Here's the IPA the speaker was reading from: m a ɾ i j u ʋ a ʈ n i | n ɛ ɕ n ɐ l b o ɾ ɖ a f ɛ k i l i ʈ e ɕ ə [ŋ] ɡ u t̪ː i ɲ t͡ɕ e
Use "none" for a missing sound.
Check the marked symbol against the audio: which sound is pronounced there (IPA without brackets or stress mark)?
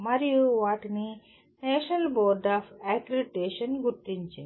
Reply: n